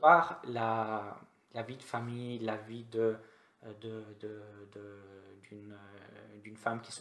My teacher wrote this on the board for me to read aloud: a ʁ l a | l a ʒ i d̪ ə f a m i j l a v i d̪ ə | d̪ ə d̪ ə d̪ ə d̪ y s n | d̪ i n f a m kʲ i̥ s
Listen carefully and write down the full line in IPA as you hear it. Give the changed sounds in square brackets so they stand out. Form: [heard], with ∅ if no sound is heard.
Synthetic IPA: a ʁ l a | l a [v] i d̪ ə f a m i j l a v i d̪ ə | d̪ ə d̪ ə d̪ ə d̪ y [∅] n | d̪ [y] n f a m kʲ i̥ s